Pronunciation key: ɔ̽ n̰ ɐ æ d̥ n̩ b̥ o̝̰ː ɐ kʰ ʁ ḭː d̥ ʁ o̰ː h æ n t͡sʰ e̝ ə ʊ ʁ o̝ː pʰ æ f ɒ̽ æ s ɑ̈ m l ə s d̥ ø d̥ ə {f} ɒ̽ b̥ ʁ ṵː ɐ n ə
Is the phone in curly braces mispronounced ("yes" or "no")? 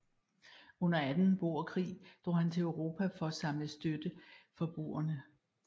no